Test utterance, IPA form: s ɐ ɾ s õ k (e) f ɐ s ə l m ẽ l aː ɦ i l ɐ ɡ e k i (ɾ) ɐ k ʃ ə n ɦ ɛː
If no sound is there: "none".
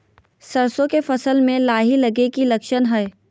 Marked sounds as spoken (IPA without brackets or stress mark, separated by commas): e, l